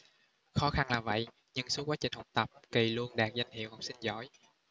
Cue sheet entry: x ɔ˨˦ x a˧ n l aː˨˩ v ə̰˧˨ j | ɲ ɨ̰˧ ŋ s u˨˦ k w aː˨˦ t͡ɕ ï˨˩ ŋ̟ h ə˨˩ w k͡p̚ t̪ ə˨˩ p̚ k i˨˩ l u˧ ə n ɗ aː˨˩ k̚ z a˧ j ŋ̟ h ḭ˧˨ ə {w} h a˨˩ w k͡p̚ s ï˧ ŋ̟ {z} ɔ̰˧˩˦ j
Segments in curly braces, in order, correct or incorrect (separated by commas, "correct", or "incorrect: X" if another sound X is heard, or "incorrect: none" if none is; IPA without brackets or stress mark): correct, correct